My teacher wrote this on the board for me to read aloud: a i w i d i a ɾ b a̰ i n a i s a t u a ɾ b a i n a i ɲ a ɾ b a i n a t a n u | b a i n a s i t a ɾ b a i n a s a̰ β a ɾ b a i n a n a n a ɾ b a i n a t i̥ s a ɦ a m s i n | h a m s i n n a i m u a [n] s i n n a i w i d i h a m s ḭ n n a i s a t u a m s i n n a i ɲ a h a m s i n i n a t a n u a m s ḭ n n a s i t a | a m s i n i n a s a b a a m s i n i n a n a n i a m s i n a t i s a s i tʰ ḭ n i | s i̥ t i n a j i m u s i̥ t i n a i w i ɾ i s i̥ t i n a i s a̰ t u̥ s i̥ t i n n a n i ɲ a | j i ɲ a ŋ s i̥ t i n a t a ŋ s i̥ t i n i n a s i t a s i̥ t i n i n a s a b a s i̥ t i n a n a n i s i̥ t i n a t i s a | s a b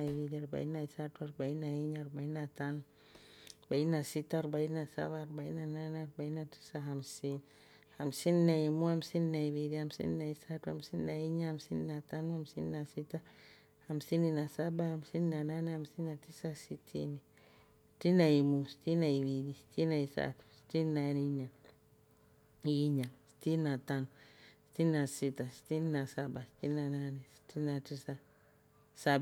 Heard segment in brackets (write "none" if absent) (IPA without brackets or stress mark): m